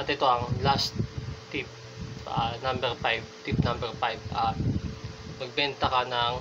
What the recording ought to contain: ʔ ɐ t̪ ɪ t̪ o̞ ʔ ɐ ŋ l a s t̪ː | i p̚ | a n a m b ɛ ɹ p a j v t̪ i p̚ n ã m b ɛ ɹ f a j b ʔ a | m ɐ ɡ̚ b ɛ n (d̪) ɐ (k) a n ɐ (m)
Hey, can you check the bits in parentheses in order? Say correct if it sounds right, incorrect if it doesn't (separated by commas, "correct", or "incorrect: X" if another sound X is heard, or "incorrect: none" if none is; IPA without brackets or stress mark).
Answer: incorrect: t̪, correct, incorrect: ŋ